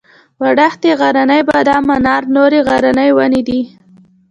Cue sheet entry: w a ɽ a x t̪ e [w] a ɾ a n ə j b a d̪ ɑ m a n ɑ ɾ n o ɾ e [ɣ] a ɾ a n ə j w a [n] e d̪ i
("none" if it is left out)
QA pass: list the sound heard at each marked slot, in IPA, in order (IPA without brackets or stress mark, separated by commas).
ɣ, ɣ, n